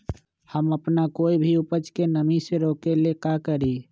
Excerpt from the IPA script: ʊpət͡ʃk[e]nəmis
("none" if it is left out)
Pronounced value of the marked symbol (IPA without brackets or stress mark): e